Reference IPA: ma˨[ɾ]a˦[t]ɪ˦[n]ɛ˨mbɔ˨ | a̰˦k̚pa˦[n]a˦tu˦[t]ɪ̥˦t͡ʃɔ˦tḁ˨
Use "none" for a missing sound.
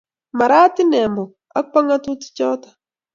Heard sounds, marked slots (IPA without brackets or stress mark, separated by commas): ɾ, t, n, ŋ, t